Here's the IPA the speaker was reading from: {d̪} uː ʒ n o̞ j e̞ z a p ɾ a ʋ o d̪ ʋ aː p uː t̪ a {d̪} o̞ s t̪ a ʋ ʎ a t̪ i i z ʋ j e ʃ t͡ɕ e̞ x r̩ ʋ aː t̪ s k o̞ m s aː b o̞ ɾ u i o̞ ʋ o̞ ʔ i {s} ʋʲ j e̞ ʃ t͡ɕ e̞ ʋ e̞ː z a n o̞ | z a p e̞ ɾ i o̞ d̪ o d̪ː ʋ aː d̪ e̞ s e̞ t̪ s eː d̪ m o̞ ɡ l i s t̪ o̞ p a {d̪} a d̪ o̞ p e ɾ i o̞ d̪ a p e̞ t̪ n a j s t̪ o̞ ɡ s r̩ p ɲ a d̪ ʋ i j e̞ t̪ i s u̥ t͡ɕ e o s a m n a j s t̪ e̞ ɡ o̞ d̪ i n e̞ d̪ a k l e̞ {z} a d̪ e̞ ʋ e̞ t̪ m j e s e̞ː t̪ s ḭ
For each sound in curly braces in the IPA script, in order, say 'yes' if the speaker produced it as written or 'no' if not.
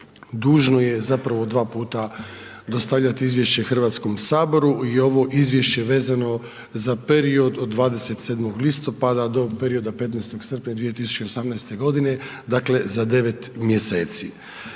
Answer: yes, yes, no, yes, yes

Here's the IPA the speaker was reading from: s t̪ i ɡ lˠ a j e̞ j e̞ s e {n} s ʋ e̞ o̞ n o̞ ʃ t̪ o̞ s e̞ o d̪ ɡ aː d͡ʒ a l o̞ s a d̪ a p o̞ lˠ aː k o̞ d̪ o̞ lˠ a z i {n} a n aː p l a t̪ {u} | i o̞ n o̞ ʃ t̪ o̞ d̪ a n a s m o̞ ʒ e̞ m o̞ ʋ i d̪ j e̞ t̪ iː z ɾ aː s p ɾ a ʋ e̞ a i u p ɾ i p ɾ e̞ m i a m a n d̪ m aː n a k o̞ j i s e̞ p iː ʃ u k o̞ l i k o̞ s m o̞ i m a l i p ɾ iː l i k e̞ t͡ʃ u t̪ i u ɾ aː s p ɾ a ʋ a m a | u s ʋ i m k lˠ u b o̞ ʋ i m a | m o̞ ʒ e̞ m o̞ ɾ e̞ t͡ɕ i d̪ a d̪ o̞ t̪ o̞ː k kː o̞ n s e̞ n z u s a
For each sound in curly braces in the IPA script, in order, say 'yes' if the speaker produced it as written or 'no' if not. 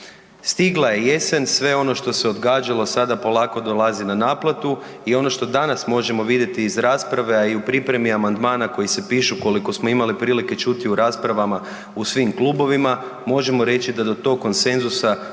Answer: yes, yes, yes

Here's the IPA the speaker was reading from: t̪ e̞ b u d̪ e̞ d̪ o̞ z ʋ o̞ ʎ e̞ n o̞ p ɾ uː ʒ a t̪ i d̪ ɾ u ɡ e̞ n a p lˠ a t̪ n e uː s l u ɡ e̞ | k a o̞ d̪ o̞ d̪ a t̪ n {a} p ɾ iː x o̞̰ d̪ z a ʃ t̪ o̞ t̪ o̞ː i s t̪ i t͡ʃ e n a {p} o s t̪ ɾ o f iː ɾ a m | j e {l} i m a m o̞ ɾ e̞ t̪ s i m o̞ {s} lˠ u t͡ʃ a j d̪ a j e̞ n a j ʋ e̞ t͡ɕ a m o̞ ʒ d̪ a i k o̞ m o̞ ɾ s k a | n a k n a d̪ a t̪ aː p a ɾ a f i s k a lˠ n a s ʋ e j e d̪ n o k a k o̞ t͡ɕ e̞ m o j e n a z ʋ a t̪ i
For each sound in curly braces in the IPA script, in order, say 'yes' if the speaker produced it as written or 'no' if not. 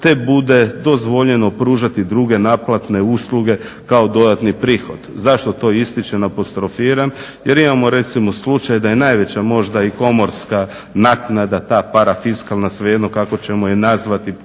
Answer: no, yes, no, yes

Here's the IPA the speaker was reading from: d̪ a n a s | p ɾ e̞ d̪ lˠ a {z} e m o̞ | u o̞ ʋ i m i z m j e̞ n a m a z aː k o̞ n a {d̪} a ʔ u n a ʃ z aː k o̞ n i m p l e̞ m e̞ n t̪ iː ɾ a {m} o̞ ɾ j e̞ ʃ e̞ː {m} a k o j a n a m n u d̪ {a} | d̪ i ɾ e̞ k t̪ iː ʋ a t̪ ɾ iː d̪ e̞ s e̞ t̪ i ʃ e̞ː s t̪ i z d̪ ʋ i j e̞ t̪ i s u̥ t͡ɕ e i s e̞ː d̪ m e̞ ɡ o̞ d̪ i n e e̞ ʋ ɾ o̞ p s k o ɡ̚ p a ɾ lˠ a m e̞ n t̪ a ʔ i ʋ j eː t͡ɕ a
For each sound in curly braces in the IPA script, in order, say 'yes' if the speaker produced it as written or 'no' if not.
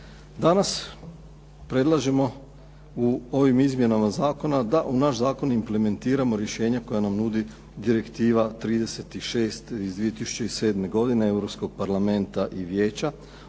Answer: no, yes, yes, no, no

